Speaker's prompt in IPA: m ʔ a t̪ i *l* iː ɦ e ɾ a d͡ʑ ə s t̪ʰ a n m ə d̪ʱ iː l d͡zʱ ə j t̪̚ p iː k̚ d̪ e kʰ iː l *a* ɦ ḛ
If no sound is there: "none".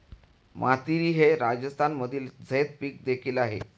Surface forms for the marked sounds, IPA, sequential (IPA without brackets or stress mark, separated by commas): ɾ, a